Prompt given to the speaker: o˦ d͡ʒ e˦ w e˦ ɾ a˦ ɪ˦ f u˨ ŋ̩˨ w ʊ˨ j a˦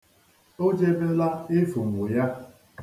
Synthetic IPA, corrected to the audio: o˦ d͡ʒ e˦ b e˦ l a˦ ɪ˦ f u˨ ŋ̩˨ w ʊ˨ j a˦